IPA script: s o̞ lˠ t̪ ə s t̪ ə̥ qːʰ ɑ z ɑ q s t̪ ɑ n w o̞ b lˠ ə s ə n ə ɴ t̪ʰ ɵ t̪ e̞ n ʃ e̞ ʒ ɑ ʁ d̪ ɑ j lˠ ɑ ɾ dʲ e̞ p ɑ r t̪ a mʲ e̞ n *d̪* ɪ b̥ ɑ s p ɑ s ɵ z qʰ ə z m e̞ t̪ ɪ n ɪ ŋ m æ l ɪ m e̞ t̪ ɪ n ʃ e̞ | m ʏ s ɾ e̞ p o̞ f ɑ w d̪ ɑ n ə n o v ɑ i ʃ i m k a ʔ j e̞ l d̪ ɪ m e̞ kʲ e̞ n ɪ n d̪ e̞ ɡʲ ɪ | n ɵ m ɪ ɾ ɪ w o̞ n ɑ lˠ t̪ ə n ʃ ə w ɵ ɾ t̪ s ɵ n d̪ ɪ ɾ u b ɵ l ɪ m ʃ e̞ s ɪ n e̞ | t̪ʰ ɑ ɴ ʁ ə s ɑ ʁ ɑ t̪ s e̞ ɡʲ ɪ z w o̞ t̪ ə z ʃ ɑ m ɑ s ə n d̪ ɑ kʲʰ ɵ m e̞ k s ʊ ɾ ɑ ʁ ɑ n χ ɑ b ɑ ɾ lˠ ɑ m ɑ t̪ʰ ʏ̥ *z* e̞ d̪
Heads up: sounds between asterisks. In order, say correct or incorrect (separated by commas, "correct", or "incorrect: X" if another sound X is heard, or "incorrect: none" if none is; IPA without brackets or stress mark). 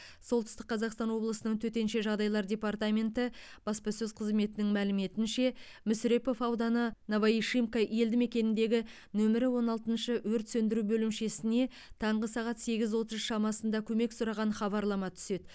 incorrect: t̪, incorrect: s